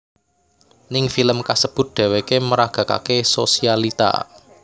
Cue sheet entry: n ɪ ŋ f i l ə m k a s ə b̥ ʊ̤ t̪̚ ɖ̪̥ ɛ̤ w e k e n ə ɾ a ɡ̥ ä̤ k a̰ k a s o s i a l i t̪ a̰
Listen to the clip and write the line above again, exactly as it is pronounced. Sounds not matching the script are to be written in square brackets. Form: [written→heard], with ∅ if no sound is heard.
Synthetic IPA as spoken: n ɪ ŋ f i l ə m k a s ə b̥ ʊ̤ t̪̚ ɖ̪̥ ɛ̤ w e k e [n→m] ə ɾ a ɡ̥ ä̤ k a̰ k [a→e] s o s i a l i t̪ a̰